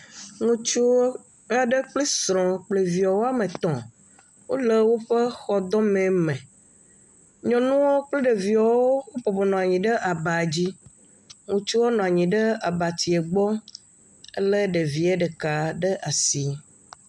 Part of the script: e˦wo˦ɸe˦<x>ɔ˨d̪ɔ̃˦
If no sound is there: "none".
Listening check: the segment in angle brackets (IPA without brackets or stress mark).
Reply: x